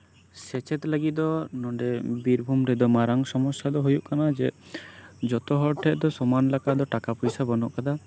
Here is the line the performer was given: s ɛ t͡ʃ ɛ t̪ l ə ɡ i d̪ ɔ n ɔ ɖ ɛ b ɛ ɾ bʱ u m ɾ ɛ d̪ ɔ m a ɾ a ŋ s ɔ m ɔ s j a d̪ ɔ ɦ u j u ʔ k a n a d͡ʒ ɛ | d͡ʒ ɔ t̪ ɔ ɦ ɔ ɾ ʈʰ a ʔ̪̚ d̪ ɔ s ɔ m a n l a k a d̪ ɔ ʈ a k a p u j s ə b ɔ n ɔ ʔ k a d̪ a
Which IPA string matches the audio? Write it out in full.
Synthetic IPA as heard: s ɛ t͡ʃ ɛ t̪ l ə ɡ i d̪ ɔ n ɔ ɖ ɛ b i ɾ bʱ u m ɾ ɛ d̪ ɔ m a ɾ a ŋ s ɔ m ɔ s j a d̪ ɔ ɦ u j u ʔ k a n a d͡ʒ ɛ | d͡ʒ ɔ t̪ ɔ ɦ ɔ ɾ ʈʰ ɛ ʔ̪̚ d̪ ɔ s ɔ m a n l a k a d̪ ɔ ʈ a k a p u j s a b ɔ n ɔ ʔ k a d̪ a